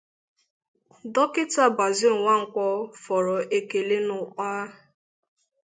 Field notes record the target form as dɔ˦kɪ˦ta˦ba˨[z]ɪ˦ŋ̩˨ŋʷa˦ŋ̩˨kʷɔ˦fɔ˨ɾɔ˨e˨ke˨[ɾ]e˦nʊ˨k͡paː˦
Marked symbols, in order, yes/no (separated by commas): yes, no